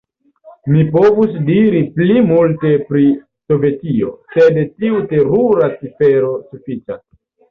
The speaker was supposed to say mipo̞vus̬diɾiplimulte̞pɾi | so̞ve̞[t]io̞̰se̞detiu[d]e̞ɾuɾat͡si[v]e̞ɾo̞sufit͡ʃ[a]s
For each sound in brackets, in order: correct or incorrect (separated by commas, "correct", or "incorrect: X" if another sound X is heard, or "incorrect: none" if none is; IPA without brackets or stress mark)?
correct, incorrect: t, incorrect: f, correct